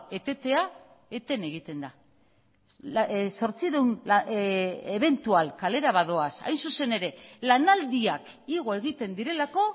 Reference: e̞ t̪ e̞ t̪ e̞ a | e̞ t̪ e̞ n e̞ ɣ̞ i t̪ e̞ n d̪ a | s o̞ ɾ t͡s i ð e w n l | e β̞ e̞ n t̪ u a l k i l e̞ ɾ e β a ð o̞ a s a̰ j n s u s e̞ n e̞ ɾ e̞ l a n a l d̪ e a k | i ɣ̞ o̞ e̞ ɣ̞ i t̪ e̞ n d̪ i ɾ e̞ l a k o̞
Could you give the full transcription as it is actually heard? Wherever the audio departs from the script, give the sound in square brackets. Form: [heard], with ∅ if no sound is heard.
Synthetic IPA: e̞ t̪ e̞ t̪ e̞ a | e̞ t̪ e̞ n e̞ ɣ̞ i t̪ e̞ n d̪ a | s o̞ ɾ t͡s i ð e w n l | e β̞ e̞ n t̪ u a l k [a] l e̞ ɾ [a] β a ð o̞ a s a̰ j n s u s e̞ n e̞ ɾ e̞ l a n a l d̪ [i] a k | i ɣ̞ o̞ e̞ ɣ̞ i t̪ e̞ n d̪ i ɾ e̞ l a k o̞